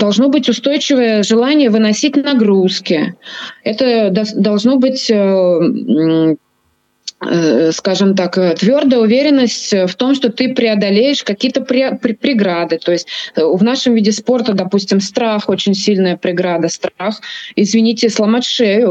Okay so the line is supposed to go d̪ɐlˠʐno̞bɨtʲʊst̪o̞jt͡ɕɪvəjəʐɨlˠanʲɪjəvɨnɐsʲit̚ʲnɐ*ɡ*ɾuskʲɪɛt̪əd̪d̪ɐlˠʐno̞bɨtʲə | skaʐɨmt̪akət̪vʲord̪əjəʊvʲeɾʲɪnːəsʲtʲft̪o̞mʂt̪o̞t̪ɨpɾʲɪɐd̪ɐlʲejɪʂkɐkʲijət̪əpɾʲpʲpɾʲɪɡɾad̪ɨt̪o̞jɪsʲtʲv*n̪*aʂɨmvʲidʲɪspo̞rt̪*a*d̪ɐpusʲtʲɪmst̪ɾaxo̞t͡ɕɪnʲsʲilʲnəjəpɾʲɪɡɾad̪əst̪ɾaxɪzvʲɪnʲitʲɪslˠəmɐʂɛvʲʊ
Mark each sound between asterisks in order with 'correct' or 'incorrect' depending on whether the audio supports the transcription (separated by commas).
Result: correct, correct, incorrect